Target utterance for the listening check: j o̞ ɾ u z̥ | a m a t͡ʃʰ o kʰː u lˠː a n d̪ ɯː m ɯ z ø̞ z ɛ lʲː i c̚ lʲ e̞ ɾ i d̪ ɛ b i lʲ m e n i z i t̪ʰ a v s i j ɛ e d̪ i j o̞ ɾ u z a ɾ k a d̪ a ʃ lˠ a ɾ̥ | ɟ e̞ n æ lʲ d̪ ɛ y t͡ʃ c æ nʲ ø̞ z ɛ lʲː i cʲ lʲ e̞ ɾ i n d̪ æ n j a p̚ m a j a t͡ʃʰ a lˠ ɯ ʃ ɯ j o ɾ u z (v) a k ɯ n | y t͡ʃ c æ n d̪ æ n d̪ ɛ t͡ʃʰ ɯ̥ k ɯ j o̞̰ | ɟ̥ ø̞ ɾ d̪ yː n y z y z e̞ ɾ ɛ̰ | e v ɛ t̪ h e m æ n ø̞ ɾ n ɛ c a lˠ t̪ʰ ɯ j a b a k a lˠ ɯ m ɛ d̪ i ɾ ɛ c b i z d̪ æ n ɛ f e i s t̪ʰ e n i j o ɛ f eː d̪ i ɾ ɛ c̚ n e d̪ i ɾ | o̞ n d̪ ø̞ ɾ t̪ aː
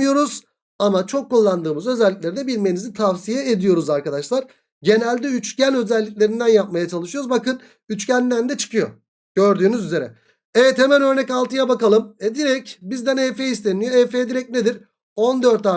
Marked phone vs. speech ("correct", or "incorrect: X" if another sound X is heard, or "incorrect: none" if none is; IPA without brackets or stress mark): incorrect: b